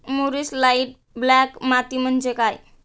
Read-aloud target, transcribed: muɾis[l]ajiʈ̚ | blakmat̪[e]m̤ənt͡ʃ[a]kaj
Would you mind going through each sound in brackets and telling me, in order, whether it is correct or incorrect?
correct, incorrect: i, incorrect: e

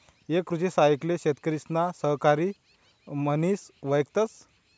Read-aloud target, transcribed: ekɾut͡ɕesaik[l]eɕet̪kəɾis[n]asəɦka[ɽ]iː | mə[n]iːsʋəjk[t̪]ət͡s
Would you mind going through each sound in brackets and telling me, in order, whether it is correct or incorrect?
correct, correct, incorrect: ɾ, correct, correct

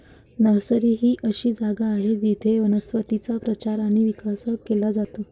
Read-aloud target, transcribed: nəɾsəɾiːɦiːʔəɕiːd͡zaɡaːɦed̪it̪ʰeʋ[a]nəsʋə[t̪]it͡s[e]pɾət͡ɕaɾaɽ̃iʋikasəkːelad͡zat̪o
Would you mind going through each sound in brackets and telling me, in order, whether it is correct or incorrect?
incorrect: ə, correct, incorrect: a

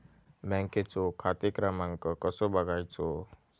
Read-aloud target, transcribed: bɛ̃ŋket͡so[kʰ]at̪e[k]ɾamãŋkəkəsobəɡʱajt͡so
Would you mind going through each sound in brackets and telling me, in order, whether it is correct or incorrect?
correct, correct

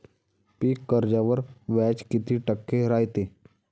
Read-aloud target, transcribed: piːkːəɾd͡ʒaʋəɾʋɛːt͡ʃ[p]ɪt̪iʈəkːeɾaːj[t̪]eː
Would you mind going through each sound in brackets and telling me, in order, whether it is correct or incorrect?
incorrect: k, correct

